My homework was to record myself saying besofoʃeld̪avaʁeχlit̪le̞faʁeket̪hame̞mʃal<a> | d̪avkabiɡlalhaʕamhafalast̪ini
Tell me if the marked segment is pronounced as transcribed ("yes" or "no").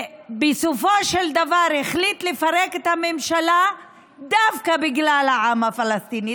yes